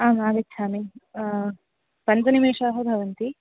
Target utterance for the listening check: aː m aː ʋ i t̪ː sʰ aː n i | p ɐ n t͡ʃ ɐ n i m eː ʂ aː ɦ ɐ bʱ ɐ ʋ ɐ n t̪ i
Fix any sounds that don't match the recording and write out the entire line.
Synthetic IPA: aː m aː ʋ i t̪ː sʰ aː m i | p ɐ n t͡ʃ ɐ n i m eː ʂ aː ɦ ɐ bʱ ɐ ʋ ɐ n t̪ i